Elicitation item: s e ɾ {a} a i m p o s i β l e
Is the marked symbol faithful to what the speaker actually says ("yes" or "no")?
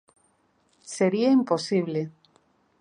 no